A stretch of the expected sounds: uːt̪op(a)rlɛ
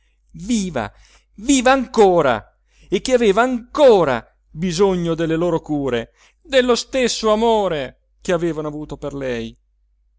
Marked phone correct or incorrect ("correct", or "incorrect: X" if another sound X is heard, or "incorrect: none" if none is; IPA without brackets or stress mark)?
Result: incorrect: e